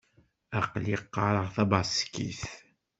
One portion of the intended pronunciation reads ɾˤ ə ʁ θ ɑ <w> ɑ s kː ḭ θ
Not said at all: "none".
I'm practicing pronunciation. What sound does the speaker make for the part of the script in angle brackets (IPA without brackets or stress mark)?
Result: b